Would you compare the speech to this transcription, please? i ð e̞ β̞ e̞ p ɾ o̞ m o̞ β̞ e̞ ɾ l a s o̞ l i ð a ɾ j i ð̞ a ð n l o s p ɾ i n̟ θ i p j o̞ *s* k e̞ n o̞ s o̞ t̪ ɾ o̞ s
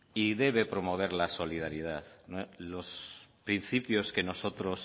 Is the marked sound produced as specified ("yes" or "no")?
yes